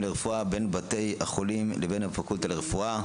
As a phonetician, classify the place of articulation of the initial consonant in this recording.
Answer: alveolar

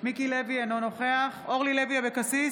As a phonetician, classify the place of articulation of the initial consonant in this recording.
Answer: labial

